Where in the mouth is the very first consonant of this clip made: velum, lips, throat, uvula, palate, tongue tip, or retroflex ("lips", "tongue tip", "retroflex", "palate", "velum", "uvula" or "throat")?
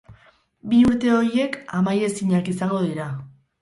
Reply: lips